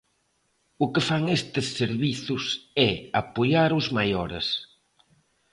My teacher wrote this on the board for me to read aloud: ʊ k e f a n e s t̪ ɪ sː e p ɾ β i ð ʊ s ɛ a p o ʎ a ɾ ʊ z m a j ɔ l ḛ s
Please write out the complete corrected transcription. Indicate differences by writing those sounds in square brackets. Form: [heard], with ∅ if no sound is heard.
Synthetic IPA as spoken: ʊ k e f a [ŋ] e s t̪ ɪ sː e [∅] ɾ β i [θ] ʊ s ɛ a p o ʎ a ɾ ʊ z m a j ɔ [ɾ] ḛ s

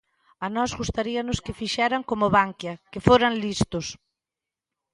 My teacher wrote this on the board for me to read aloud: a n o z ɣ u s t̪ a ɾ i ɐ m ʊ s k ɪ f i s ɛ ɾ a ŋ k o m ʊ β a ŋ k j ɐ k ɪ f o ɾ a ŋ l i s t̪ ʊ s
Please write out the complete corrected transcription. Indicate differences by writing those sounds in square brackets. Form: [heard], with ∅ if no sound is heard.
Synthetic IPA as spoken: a n [ɔ] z ɣ u s t̪ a ɾ i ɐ [n] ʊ s k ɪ f i [ʃ] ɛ ɾ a ŋ k o m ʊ β a ŋ k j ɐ k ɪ f o ɾ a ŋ l i s t̪ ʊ s

